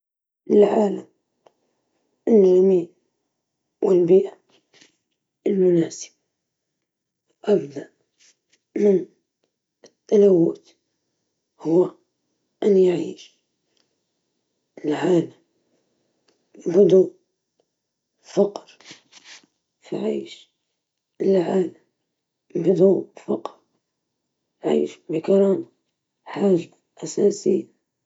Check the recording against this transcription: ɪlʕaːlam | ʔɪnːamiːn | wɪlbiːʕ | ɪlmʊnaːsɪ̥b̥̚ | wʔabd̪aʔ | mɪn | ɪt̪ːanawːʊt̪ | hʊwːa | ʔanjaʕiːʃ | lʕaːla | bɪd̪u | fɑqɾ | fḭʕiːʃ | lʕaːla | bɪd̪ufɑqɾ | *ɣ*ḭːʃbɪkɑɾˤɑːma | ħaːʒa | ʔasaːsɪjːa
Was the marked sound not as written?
yes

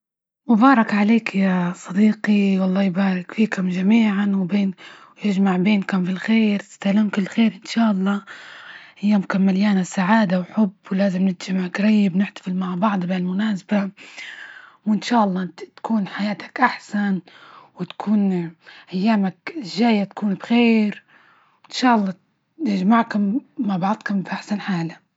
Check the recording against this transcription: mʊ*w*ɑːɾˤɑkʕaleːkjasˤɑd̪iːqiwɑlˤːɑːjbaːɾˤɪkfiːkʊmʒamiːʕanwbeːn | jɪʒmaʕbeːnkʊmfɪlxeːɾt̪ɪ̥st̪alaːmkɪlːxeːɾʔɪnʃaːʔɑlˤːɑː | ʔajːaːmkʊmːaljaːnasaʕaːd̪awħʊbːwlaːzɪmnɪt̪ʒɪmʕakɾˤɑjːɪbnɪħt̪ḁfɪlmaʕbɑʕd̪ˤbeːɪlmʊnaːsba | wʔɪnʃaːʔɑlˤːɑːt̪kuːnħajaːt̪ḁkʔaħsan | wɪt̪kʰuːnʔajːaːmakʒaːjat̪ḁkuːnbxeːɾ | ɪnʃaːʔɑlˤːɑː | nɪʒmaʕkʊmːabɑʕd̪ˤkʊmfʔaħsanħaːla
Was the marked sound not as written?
yes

